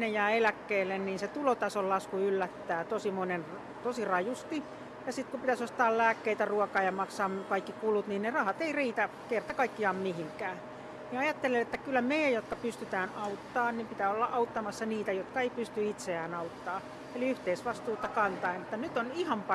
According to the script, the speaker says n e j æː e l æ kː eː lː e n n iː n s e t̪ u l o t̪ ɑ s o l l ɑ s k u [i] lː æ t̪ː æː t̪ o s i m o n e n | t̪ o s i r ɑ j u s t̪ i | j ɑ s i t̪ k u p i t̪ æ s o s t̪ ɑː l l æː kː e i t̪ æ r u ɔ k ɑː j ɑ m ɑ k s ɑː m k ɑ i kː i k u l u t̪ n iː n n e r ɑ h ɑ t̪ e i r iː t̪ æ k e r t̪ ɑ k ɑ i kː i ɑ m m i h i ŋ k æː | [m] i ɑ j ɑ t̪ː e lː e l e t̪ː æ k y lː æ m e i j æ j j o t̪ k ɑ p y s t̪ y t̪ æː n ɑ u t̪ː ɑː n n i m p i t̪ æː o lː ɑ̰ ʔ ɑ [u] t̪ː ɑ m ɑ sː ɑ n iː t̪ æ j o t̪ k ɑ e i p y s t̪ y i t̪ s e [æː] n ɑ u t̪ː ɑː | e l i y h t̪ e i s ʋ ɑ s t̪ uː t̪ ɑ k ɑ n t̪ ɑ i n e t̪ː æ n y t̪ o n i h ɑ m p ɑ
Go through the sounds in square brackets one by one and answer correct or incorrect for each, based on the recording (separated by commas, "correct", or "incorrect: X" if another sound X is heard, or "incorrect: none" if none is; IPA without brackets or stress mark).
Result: incorrect: y, incorrect: n, correct, correct